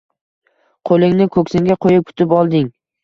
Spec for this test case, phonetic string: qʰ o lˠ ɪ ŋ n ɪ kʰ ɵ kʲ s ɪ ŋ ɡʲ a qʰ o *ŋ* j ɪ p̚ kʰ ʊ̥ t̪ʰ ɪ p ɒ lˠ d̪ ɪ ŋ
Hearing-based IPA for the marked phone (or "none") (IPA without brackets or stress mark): none